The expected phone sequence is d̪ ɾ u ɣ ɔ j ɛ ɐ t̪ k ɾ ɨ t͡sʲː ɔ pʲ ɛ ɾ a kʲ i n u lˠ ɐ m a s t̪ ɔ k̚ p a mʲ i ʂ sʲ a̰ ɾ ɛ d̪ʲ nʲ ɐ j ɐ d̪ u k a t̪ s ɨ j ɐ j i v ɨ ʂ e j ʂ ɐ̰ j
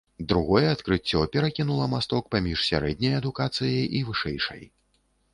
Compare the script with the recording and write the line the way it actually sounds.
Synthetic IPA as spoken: d̪ ɾ u ɣ ɔ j ɛ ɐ t̪ k ɾ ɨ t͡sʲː ɔ pʲ ɛ ɾ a kʲ i n u lˠ ɐ m a s t̪ ɔ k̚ p a mʲ i ʂ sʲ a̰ ɾ ɛ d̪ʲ nʲ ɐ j ɐ d̪ u k a t̪ s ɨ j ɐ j i v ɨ ʂ ɛ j ʂ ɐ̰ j